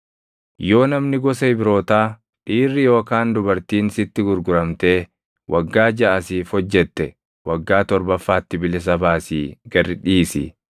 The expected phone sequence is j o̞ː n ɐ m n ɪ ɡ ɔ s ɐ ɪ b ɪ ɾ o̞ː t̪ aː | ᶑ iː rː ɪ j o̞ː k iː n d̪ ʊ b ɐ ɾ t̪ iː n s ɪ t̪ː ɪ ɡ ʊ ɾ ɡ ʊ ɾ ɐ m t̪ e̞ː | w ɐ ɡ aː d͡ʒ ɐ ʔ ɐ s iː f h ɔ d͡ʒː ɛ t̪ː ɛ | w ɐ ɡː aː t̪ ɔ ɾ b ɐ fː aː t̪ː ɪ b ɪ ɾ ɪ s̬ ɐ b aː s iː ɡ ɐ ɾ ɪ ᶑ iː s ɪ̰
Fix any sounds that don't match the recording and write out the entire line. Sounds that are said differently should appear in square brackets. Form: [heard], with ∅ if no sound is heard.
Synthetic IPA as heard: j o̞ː n ɐ m n ɪ ɡ ɔ s ɐ ɪ b ɪ ɾ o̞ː t̪ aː | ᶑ iː rː ɪ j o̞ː k [aː] n d̪ ʊ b ɐ ɾ t̪ iː n s ɪ t̪ː ɪ ɡ ʊ ɾ ɡ ʊ ɾ ɐ m t̪ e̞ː | w ɐ [ɡː] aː d͡ʒ ɐ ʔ ɐ s iː f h ɔ d͡ʒː ɛ t̪ː ɛ | w ɐ ɡː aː t̪ ɔ ɾ b ɐ fː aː t̪ː ɪ b ɪ [l] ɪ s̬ ɐ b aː s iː ɡ ɐ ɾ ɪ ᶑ iː s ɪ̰